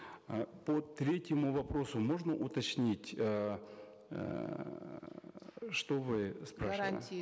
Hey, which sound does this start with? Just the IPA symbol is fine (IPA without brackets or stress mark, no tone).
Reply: p